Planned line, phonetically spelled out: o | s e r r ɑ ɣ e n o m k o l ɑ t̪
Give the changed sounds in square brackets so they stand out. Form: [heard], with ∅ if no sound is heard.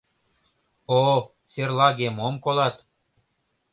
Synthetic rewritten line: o | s e r [l] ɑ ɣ e [m] o m k o l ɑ t̪